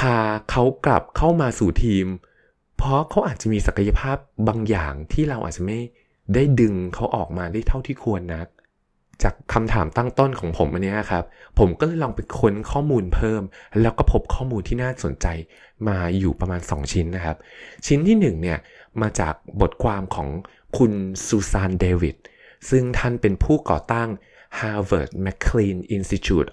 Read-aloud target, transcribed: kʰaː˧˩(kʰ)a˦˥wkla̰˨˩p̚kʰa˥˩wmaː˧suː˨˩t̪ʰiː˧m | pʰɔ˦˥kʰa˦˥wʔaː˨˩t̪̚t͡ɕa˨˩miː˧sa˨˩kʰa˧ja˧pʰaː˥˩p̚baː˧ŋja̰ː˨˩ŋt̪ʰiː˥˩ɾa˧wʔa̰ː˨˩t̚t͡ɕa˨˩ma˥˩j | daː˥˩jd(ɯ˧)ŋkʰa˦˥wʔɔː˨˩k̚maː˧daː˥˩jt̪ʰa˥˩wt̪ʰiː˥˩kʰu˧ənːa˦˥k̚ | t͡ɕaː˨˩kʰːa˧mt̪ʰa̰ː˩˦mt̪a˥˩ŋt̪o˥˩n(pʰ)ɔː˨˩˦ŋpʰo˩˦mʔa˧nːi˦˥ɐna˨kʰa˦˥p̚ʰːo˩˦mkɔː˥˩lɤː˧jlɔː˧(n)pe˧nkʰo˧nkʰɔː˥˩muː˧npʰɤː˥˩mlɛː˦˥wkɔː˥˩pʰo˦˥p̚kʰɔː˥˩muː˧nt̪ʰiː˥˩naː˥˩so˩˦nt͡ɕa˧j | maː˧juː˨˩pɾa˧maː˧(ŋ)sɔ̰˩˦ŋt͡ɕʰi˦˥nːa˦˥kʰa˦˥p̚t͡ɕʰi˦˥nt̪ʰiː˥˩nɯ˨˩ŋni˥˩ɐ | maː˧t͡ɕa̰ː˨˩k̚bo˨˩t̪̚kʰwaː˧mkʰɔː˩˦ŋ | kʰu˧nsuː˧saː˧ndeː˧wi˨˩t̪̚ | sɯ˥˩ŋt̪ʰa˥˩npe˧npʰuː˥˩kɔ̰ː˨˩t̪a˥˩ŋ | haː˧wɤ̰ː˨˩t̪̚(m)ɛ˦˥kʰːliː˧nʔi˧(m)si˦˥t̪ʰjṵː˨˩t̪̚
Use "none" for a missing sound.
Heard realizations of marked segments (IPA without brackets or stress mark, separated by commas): kʰ, ɯ˧, kʰ, ŋ, n, m, n